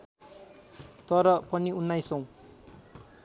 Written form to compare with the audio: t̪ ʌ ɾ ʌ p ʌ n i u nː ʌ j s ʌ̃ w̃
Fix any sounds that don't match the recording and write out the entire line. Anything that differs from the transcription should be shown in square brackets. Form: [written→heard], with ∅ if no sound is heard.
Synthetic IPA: t̪ ʌ ɾ ʌ p ʌ n i u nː [ʌ→a] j s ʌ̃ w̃